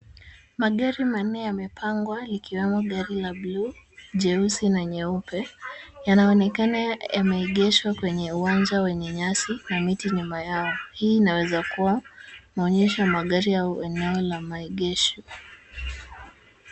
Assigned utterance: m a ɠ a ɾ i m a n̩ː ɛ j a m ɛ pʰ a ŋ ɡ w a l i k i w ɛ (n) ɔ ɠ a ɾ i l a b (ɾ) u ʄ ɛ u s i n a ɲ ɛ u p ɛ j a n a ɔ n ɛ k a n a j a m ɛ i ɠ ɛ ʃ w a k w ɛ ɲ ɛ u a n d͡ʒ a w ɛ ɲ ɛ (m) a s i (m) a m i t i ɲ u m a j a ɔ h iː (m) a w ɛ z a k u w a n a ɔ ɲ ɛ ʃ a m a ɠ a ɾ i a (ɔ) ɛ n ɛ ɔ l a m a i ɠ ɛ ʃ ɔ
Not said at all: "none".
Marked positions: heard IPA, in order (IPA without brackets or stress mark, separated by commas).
m, l, ɲ, n, n, u